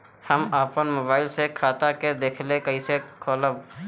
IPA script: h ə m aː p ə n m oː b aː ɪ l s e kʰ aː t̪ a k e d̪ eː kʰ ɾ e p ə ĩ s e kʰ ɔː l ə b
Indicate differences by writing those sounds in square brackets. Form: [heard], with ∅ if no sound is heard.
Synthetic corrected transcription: h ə m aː p ə n m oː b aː ɪ l s e kʰ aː t̪ a k e d̪ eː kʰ [l] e [k] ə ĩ s e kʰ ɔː l ə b